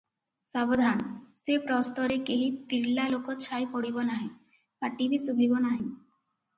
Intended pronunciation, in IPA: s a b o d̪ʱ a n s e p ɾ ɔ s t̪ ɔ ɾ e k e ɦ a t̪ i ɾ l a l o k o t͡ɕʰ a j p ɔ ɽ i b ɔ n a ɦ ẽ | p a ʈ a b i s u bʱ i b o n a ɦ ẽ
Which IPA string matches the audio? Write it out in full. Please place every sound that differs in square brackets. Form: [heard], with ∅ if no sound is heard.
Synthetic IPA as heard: s a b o d̪ʱ a n s e p ɾ ɔ s t̪ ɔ ɾ e k e ɦ [i] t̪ i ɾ l a l o k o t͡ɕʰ a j p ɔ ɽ i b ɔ n a ɦ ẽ | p a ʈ [i] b i s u bʱ i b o n a ɦ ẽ